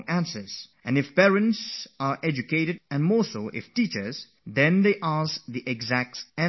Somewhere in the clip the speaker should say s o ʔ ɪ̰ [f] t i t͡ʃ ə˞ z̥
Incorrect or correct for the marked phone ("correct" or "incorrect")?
correct